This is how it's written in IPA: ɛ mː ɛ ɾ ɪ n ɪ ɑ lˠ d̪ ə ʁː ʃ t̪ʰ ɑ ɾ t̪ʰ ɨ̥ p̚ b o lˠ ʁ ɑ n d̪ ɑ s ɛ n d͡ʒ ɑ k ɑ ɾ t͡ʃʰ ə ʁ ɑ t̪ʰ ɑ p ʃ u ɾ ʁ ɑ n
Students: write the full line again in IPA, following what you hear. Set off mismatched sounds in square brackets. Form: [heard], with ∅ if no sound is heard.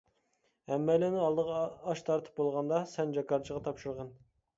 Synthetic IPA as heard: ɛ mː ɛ [l] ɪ n ɪ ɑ lˠ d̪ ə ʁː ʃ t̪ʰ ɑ ɾ t̪ʰ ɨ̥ p̚ b o lˠ ʁ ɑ n d̪ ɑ s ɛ n d͡ʒ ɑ k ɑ ɾ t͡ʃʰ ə ʁ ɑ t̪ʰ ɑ p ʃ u ɾ ʁ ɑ n